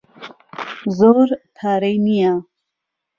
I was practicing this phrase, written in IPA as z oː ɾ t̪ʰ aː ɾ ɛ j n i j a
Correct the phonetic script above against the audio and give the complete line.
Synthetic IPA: z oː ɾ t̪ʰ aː ɾ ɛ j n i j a